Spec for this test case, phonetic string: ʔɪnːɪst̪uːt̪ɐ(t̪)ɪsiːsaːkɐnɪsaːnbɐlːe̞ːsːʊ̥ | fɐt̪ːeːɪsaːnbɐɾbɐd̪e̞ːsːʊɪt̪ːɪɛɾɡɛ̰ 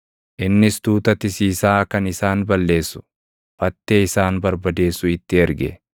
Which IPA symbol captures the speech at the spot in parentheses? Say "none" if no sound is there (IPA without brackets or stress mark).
t̪